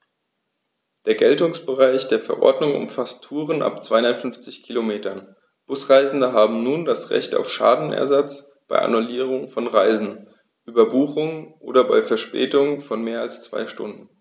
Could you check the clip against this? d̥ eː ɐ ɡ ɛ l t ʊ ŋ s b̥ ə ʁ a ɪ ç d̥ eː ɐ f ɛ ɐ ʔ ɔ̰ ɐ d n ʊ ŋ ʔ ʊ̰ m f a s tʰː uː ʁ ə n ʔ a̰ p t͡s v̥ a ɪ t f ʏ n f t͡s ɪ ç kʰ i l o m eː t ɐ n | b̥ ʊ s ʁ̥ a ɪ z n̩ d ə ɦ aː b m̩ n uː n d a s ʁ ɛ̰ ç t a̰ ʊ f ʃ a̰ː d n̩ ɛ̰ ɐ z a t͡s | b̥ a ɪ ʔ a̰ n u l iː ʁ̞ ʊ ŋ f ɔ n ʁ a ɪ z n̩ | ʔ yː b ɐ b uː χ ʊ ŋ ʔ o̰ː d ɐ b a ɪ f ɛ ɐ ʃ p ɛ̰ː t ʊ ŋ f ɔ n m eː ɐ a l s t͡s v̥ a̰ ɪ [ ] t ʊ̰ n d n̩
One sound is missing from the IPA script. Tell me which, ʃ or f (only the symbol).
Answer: ʃ